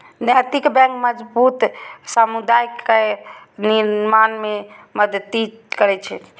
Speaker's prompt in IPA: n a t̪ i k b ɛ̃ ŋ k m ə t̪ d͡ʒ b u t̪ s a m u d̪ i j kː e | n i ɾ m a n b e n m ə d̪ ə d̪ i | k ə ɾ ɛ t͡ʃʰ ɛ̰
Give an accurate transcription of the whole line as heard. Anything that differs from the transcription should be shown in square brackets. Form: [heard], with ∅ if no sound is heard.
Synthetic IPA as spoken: n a t̪ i k b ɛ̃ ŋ k m ə [∅] d͡ʒ b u t̪ s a m u d̪ [a] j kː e | n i ɾ m a n [m] e [∅] m ə d̪ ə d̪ i | k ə ɾ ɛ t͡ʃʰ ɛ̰